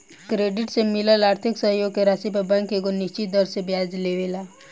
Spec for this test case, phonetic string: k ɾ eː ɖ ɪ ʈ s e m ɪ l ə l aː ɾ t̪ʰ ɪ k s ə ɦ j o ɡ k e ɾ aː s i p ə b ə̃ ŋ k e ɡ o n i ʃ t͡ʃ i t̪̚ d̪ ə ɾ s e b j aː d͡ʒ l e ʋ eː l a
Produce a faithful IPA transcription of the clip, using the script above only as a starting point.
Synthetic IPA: k ɾ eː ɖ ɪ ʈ s e m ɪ l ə l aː ɾ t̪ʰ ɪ k s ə ɦ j o ɡ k e ɾ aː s i p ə b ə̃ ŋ k e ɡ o n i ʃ t͡ʃ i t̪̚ d̪ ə ɾ s e b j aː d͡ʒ l e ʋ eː l a

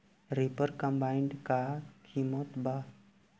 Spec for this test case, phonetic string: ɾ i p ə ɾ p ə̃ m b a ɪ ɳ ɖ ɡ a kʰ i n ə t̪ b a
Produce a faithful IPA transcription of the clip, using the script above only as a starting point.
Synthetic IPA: ɾ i p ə ɾ k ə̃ m b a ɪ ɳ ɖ k a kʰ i m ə t̪ b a

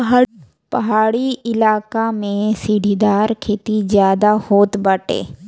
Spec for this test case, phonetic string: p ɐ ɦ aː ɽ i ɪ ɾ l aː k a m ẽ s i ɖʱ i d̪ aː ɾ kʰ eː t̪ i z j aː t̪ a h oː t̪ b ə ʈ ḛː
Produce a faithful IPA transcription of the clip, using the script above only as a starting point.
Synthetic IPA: p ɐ ɦ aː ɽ i ɪ l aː k a m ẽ s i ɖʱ i d̪ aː ɾ kʰ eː t̪ i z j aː d̪ a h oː t̪ b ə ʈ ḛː

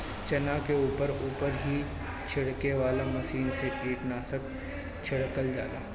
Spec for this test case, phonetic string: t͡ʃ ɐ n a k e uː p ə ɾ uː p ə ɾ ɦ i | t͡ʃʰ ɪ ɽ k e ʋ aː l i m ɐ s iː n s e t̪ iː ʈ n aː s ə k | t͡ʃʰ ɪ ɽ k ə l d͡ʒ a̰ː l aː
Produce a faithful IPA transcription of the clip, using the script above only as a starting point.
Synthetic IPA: t͡ʃ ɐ n a k e uː p ə ɾ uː p ə ɾ ɦ i | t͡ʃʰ ɪ ɽ k e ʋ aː l a m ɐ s iː n s e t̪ iː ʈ n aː s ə k | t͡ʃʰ ɪ ɽ k ə l d͡ʒ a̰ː l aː

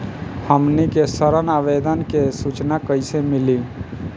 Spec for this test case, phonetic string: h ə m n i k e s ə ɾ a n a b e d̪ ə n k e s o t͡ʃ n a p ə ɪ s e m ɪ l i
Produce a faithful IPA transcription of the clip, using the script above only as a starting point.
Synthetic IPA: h ə m n i k e s ə ɾ ə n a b e d̪ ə n k e s u t͡ʃ n a k ə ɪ s e m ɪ l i

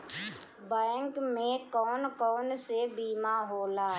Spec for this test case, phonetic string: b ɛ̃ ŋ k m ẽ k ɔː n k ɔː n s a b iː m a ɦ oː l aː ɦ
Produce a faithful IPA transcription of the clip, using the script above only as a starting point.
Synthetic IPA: b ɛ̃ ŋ k m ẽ k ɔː n k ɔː n s e b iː m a ɦ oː l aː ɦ

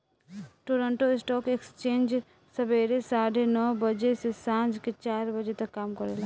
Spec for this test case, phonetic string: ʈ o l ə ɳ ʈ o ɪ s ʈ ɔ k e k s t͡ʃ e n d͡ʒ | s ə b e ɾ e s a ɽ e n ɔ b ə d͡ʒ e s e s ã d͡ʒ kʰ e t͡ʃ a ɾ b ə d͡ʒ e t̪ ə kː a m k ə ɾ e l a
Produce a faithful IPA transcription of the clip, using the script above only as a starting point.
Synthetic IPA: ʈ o ɾ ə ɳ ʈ o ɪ s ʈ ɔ k e k s t͡ʃ e n d͡ʒ | s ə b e ɾ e s a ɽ e n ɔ b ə d͡ʒ e s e s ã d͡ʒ k e t͡ʃ a ɾ b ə d͡ʒ e t̪ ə kː a m k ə ɾ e l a

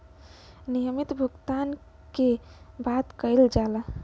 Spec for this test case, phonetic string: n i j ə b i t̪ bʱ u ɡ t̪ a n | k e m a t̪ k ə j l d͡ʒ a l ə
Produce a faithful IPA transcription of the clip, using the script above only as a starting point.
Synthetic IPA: n i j ə m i t̪ bʱ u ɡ t̪ a n | k e b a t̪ k ə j l d͡ʒ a l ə

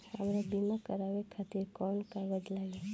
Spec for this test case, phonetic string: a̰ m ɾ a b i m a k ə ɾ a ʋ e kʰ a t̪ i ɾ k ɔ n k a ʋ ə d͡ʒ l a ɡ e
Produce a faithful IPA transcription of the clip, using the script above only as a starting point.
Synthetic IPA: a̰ m ɾ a b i m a k ə ɾ a ʋ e kʰ a t̪ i ɾ k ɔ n k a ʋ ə d͡ʒ l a ɡ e

